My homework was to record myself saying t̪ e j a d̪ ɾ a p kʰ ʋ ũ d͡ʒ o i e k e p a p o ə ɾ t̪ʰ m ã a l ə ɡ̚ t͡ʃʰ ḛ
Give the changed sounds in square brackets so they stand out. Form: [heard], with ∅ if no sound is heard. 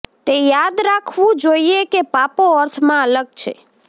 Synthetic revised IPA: t̪ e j a d̪ ɾ a [∅] kʰ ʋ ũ d͡ʒ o i e k e p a p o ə ɾ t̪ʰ m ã [ə] l ə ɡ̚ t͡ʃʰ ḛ